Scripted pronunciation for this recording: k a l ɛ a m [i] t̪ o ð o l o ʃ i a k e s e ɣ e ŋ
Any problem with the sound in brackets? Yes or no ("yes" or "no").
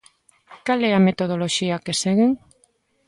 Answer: yes